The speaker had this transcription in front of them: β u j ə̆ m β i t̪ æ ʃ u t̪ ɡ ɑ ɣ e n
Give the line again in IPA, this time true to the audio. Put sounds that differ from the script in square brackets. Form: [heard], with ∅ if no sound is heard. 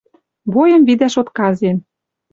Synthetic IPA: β [o] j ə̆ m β i [d̪] æ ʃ [o] t̪ [k] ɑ [z] e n